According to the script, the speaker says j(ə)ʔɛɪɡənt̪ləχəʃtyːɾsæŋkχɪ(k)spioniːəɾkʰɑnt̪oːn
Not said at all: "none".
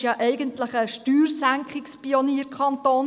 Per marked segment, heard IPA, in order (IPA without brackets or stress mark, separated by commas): ɑ, k